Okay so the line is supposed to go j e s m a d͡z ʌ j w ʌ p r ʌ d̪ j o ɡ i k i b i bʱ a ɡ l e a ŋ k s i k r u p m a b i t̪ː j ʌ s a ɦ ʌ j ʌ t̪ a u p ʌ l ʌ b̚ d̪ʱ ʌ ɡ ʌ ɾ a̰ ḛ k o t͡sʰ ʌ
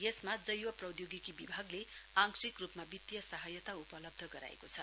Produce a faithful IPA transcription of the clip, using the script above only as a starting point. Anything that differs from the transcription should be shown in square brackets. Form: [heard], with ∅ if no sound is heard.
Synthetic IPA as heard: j e s m a d͡z ʌ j w ʌ p r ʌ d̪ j o ɡ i k i b i bʱ a ɡ l e a ŋ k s i k r u p m a b i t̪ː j ʌ s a ɦ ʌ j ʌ t̪ a u p ʌ l ʌ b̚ d̪ʱ ʌ ɡ ʌ ɾ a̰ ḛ k o t͡sʰ ʌ